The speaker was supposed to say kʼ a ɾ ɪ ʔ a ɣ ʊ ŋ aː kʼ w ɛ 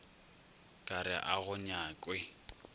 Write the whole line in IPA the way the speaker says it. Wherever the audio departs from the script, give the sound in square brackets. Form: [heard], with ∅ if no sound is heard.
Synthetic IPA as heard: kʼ a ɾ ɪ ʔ a ɣ ʊ [ɲ] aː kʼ w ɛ